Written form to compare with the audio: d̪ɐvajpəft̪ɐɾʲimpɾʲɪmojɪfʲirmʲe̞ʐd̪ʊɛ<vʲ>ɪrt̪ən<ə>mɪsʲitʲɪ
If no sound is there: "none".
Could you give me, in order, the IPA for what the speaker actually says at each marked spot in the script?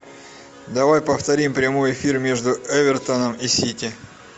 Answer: vʲ, ə

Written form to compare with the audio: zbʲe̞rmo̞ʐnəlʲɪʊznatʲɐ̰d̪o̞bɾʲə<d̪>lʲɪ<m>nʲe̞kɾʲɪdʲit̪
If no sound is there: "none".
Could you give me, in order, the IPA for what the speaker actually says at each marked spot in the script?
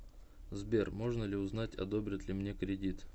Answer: t̪, m

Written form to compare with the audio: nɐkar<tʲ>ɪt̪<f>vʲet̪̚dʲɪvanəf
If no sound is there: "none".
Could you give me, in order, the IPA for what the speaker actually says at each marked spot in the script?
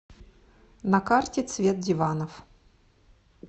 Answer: tʲ, s

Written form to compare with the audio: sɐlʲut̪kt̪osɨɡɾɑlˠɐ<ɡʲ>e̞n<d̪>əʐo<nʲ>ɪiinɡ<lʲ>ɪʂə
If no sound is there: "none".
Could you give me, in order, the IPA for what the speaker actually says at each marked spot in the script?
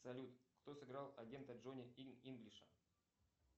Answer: ɡʲ, t̪, nʲ, lʲ

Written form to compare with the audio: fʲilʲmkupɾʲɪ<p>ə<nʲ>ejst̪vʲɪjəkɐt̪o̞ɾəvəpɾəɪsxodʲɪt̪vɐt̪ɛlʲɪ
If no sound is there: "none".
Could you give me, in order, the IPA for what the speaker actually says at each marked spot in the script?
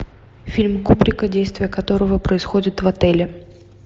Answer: k, dʲ

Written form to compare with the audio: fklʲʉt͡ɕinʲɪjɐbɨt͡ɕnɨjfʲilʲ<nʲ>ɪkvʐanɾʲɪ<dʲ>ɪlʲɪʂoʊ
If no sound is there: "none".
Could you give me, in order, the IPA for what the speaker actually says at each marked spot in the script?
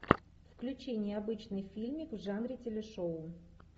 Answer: mʲ, tʲ

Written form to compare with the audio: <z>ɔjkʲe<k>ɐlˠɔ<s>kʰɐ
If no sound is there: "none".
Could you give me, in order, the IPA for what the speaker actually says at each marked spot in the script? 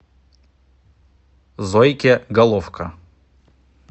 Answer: z, ɡ, f

